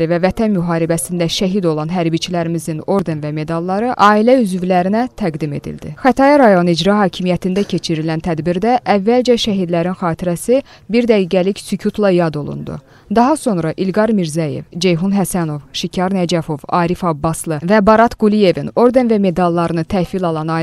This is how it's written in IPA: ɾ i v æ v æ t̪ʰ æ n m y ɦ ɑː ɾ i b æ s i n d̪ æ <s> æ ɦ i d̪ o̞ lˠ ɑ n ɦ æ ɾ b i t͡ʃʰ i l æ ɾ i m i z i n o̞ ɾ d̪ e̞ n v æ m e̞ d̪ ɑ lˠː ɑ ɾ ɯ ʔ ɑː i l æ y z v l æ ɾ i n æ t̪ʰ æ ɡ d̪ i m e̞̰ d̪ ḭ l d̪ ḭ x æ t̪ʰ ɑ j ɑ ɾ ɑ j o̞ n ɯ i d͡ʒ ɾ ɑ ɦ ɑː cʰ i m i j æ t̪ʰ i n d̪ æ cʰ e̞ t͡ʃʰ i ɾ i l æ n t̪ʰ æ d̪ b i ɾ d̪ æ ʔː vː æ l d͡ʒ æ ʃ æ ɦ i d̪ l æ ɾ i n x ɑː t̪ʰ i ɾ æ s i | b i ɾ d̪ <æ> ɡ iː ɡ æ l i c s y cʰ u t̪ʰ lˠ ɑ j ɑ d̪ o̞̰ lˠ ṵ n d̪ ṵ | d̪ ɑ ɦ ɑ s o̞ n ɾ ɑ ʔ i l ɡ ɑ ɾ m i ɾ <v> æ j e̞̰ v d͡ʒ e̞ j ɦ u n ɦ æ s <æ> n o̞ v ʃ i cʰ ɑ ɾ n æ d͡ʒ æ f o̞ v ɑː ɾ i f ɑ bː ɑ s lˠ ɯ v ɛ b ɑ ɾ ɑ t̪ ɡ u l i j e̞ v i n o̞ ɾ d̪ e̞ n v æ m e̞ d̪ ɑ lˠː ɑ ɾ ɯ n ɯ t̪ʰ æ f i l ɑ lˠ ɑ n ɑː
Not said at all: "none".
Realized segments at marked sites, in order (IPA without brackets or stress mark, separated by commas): ʃ, æ, z, æ